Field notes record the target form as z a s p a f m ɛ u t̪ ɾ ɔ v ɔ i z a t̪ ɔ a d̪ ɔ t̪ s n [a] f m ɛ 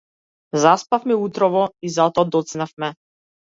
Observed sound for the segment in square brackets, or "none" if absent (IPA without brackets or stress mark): a